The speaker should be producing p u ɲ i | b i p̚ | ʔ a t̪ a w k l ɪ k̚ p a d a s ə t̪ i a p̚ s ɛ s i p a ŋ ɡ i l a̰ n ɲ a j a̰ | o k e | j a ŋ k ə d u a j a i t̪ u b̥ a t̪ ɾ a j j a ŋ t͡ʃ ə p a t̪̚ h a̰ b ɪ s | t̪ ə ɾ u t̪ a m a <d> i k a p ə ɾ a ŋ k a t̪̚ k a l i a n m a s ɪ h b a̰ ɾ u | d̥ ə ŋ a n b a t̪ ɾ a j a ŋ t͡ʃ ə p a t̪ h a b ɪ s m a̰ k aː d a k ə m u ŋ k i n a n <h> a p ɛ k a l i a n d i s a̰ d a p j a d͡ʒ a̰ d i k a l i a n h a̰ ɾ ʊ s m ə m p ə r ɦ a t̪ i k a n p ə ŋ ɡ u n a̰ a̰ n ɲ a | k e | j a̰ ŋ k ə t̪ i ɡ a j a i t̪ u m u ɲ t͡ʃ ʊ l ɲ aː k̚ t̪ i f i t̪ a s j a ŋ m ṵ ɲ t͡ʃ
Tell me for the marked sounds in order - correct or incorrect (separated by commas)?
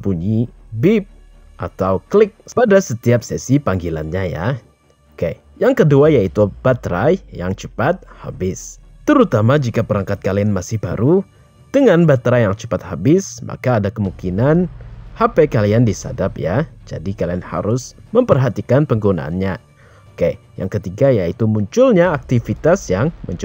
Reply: incorrect, correct